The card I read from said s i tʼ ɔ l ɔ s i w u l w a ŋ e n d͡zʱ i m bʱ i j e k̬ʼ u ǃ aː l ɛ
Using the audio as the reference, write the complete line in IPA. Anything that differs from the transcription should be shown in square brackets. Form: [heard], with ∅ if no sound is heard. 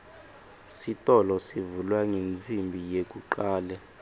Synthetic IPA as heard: s i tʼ ɔ l ɔ s i [v] u l w a ŋ e n d͡zʱ i m bʱ i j e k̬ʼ u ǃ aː l ɛ